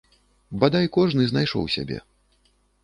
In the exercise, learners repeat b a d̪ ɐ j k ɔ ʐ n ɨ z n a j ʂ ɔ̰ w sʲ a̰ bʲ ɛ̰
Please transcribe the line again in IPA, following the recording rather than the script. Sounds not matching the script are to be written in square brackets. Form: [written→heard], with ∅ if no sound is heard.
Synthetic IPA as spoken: b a d̪ [ɐ→a] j k ɔ ʐ n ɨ z n a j ʂ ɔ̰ w sʲ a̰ bʲ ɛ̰